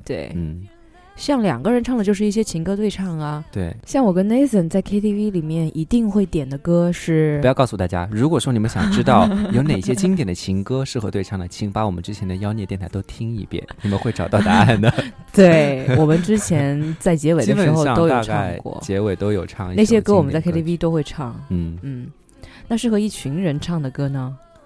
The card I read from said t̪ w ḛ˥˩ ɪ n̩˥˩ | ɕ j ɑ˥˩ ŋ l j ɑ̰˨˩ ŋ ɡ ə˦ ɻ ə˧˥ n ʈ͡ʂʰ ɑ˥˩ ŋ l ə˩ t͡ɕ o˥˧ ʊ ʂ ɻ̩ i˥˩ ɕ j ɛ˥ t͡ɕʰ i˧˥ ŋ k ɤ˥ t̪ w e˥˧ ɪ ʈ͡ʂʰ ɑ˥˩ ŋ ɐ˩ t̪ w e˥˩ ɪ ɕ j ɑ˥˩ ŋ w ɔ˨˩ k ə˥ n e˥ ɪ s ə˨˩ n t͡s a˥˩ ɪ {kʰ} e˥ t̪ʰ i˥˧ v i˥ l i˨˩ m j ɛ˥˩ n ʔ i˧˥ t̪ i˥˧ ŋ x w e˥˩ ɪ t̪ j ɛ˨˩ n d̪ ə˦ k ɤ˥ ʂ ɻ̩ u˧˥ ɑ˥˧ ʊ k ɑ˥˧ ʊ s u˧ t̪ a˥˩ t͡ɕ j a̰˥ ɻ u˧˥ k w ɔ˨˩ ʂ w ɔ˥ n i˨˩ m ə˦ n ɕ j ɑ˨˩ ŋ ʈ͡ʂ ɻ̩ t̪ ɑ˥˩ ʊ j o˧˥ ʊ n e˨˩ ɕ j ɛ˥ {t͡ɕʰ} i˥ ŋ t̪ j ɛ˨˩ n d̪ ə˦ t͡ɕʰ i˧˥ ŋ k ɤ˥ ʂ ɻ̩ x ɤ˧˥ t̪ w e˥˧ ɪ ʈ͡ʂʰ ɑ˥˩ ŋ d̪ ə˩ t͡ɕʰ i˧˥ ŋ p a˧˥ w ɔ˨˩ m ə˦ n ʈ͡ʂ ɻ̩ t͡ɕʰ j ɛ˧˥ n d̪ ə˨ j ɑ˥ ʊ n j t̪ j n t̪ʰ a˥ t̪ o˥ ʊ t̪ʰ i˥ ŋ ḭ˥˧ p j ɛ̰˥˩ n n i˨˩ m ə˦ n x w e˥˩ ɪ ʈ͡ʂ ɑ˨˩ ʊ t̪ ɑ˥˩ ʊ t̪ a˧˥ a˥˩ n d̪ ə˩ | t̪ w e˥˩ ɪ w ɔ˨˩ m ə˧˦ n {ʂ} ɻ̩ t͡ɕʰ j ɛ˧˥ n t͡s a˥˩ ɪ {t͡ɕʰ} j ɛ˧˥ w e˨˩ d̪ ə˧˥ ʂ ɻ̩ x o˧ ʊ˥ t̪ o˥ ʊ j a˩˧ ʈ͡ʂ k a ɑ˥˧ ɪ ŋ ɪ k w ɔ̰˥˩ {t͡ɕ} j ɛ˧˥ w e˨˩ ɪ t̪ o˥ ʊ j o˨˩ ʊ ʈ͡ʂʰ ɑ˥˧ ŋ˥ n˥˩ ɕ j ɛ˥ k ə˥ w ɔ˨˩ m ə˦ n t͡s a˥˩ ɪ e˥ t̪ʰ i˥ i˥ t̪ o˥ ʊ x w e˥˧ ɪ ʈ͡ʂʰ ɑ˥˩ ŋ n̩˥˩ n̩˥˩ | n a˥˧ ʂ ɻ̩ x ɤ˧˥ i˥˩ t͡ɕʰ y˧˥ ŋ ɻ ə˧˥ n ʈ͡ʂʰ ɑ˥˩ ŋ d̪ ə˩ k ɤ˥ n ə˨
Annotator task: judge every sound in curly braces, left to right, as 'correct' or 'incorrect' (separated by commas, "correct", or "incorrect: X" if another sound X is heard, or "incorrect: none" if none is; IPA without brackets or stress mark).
correct, incorrect: t͡ɕ, incorrect: ʈ͡ʂ, incorrect: t͡ɕ, correct